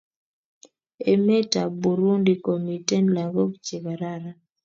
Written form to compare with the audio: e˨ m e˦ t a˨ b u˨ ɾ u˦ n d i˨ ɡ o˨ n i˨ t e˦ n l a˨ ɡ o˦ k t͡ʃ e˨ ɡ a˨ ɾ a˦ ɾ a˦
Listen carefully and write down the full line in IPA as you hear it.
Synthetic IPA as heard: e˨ m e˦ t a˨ b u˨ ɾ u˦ n d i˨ k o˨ m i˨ t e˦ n l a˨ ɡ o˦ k t͡ʃ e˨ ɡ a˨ ɾ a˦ ɾ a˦

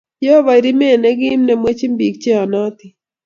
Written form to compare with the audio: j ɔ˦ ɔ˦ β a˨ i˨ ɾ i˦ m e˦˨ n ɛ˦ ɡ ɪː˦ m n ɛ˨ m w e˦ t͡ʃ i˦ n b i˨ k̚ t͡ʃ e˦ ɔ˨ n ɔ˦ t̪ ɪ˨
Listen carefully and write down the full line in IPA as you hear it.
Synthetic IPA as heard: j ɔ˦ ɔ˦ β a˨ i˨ ɾ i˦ m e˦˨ n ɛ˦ ɡ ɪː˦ m n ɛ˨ m w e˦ t͡ʃ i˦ m b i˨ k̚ t͡ʃ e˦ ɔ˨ n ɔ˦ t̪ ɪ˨

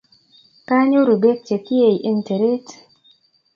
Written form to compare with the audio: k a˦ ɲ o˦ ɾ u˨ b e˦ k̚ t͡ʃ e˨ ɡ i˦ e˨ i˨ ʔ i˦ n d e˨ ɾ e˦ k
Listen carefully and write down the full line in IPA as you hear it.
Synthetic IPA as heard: k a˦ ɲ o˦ ɾ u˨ b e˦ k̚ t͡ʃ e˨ k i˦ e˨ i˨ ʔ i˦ n t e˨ ɾ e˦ t

